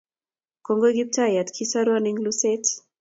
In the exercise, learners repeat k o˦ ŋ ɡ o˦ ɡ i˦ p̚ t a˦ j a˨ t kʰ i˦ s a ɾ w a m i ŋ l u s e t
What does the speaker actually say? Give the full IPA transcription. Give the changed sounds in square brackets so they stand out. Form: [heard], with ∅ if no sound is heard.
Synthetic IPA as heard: k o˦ ŋ ɡ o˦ ɡ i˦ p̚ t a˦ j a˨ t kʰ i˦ s a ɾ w a [n] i ŋ l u s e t